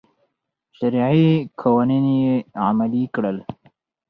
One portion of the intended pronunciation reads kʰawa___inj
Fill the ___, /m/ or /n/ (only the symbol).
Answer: n